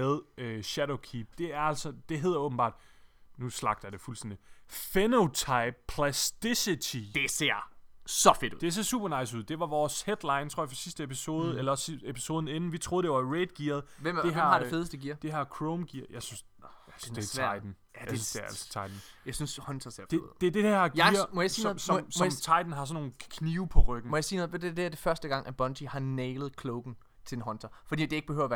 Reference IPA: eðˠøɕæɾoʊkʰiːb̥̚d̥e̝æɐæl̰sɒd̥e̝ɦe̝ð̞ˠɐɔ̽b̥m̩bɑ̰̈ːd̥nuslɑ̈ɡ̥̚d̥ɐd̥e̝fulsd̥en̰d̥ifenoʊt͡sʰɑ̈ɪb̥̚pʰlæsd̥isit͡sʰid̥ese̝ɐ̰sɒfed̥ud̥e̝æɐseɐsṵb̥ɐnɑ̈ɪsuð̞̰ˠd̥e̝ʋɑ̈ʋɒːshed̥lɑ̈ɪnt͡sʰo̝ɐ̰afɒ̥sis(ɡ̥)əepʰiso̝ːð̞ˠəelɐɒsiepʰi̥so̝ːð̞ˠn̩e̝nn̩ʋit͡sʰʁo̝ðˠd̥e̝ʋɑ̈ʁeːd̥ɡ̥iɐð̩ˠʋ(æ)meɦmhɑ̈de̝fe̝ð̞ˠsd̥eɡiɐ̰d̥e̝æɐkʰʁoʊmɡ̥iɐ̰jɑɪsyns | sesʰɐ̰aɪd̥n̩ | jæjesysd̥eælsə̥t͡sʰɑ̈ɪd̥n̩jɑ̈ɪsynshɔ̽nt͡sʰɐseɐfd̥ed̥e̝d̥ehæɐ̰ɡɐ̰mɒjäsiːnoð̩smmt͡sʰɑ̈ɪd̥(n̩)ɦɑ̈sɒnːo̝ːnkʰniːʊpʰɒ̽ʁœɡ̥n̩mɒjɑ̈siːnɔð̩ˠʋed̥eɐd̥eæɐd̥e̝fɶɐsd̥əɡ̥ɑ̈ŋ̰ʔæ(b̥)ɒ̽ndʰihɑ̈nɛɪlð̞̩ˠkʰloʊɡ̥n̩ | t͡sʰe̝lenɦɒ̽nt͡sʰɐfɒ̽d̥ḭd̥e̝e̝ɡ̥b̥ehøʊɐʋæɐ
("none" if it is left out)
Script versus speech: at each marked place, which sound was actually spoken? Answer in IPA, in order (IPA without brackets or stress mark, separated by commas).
d̥, e, n̩, b̥